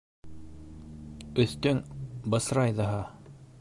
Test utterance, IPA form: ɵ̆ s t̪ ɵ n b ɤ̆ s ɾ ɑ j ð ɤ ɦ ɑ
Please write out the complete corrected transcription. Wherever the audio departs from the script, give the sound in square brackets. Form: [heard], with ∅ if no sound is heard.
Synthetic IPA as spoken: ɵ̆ [θ] t̪ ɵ [ŋ] b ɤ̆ s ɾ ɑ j ð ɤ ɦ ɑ